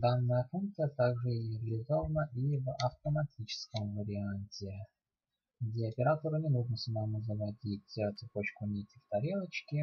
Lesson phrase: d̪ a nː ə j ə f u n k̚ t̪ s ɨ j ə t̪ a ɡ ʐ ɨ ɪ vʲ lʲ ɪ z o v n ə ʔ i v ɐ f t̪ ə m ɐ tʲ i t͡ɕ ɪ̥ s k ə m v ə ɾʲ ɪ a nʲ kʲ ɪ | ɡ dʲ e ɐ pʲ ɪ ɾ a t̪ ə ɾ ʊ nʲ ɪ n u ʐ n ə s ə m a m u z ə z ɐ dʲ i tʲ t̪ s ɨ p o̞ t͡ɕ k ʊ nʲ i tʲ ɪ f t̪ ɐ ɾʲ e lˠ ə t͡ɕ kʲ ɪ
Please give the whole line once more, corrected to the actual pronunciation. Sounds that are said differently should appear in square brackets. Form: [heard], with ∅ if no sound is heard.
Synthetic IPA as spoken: d̪ a nː ə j ə f u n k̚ t̪ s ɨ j ə t̪ a ɡ ʐ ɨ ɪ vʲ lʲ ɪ z o v n ə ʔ i v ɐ f t̪ ə m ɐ tʲ i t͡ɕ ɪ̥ s k ə m v ə ɾʲ ɪ a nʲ [tʲ] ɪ | ɡ dʲ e ɐ pʲ ɪ ɾ a t̪ ə ɾ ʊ nʲ ɪ n u ʐ n ə s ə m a m u z ə [v] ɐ dʲ i tʲ t̪ s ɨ p o̞ t͡ɕ k ʊ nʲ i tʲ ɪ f t̪ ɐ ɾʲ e lˠ ə t͡ɕ kʲ ɪ